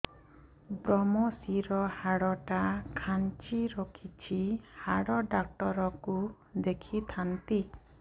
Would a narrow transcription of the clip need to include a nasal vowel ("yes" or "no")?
no